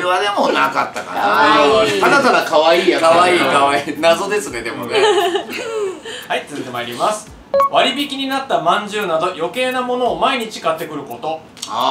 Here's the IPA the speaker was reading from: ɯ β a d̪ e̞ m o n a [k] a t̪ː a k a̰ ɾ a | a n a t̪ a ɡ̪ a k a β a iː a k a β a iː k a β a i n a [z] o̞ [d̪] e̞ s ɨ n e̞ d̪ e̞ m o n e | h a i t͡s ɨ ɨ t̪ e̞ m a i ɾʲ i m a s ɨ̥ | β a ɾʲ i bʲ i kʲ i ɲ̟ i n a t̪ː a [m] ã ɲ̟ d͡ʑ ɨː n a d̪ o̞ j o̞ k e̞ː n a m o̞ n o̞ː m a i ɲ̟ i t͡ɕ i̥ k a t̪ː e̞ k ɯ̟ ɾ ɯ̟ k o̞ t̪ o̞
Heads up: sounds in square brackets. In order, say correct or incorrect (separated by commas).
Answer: correct, correct, correct, correct